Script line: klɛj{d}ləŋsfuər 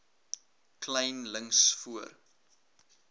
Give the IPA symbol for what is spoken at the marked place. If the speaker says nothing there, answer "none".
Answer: n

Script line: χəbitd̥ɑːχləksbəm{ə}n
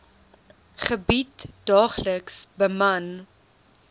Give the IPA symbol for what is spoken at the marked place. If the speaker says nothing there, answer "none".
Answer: ɐ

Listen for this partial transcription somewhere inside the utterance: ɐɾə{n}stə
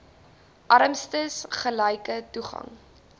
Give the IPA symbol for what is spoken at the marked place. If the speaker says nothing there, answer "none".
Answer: m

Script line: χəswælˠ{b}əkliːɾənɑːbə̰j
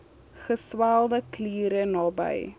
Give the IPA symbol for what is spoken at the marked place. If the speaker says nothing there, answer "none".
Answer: d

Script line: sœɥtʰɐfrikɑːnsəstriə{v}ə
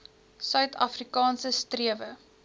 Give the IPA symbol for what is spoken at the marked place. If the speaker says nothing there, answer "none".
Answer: v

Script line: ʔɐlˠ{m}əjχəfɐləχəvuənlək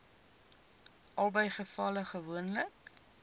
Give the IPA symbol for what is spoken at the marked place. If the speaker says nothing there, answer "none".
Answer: b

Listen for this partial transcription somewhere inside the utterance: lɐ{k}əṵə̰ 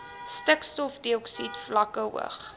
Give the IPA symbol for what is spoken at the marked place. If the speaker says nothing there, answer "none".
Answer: k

